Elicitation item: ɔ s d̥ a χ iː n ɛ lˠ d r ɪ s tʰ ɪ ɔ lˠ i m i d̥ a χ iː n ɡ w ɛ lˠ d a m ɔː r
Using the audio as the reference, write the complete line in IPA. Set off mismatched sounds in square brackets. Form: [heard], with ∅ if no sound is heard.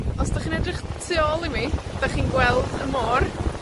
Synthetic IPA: ɔ s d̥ a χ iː n ɛ [∅] d r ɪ [χ] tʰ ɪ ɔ lˠ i m i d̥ a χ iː n ɡ w ɛ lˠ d [ə] m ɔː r